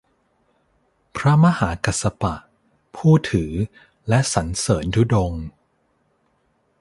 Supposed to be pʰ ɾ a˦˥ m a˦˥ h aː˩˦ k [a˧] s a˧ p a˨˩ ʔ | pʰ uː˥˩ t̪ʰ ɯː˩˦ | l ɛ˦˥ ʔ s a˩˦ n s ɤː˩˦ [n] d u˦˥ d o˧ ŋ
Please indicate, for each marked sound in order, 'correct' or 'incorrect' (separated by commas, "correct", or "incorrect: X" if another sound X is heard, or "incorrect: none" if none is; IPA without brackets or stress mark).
incorrect: a˨˩, correct